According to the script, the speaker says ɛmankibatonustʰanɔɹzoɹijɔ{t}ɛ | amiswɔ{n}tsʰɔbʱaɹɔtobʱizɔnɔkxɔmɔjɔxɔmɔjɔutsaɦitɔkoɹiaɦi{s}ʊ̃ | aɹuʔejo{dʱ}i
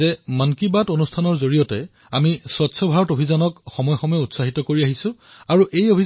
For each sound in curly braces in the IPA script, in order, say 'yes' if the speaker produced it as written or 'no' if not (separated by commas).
yes, no, yes, no